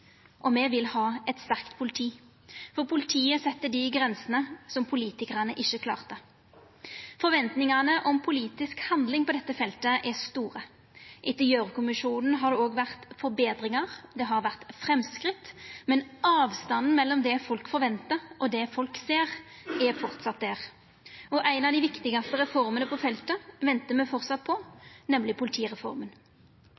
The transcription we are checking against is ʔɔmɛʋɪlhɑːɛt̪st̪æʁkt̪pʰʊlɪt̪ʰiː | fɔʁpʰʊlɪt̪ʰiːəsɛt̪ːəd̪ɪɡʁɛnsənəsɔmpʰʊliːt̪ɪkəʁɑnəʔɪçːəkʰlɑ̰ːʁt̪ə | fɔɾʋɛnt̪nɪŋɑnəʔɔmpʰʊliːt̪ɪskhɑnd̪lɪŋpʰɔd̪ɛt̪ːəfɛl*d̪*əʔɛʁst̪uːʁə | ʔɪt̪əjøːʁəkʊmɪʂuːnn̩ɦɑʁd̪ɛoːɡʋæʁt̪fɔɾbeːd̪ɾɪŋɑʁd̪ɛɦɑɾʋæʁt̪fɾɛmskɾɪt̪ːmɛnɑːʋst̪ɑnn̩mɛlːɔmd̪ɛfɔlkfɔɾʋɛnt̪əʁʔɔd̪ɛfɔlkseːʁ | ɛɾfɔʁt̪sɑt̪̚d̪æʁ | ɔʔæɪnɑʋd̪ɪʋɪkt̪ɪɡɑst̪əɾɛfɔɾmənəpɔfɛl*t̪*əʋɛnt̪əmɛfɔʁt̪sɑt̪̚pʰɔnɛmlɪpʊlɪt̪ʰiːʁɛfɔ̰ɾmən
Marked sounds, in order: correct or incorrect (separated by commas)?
incorrect, correct